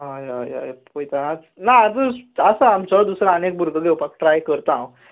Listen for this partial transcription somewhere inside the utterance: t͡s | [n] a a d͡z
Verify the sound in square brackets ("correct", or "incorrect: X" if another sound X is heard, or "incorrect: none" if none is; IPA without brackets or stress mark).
correct